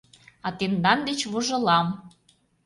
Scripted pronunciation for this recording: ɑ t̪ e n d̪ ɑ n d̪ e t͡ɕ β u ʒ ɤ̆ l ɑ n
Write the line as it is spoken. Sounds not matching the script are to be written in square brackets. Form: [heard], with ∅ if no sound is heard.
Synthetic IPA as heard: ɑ t̪ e n d̪ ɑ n d̪ e t͡ɕ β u ʒ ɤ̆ l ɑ [m]